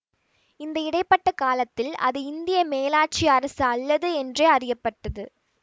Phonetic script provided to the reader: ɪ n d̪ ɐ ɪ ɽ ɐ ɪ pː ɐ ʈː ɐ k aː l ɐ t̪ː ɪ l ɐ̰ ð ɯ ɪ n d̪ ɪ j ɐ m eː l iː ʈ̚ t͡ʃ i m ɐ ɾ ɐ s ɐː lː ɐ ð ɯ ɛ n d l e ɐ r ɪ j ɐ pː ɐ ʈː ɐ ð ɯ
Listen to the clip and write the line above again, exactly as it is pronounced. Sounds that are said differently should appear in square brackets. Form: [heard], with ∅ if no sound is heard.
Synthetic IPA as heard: ɪ n d̪ ɐ ɪ ɽ ɐ ɪ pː ɐ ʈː ɐ k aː l ɐ t̪ː ɪ l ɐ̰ ð ɯ ɪ n d̪ ɪ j ɐ m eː l [aː] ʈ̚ t͡ʃ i [∅] ɐ ɾ ɐ s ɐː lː ɐ ð ɯ ɛ n d [r] e ɐ r ɪ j ɐ pː ɐ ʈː ɐ ð ɯ